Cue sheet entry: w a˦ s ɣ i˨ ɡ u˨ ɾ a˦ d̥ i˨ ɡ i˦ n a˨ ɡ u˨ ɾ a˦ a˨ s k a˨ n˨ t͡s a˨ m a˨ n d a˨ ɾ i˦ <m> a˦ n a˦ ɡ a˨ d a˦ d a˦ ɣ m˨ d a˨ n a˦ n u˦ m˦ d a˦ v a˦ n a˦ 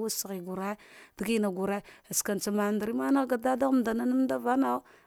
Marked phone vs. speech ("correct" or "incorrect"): correct